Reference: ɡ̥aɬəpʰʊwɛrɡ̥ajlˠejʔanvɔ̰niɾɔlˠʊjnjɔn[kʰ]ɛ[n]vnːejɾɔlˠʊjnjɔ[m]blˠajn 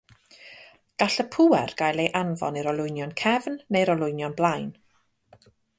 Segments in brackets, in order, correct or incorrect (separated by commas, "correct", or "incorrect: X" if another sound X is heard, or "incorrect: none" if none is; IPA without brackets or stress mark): correct, incorrect: none, incorrect: n